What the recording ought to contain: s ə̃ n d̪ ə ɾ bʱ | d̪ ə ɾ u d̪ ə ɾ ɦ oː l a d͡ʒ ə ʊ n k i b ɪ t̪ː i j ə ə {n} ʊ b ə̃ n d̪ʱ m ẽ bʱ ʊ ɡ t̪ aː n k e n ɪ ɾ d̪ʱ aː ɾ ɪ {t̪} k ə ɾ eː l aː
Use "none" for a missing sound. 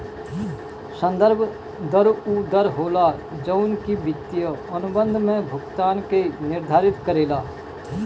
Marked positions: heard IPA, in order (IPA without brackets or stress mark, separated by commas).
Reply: n, t̪